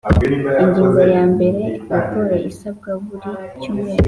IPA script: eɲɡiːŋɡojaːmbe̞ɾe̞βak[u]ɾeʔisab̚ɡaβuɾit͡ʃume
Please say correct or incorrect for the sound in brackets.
incorrect: o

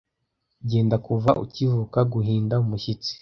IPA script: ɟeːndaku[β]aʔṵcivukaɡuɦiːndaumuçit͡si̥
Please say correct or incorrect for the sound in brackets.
incorrect: v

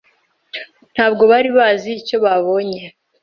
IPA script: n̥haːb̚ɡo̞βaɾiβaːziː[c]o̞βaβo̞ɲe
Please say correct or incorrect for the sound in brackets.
correct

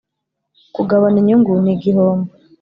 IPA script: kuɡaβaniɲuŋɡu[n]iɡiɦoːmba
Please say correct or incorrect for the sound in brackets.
correct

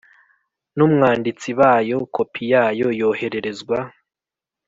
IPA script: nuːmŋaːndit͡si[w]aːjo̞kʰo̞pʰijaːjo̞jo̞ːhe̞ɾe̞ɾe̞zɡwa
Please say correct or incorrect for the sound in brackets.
incorrect: β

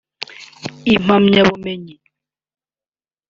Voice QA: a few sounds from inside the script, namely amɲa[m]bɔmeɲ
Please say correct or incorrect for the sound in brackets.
incorrect: none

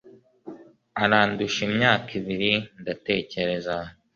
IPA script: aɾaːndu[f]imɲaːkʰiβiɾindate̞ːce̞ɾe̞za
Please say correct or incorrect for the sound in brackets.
incorrect: ʃ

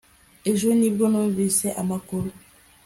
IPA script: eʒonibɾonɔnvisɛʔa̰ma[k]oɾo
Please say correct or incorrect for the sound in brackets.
correct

